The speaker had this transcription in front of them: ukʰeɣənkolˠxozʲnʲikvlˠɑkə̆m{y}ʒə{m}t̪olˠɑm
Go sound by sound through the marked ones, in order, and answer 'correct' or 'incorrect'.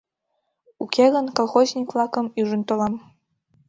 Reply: correct, incorrect: n

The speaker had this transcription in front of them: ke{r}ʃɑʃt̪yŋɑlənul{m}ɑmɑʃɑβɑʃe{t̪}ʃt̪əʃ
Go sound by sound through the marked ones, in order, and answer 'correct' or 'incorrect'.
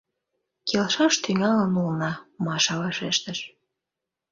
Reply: incorrect: l, incorrect: n, incorrect: none

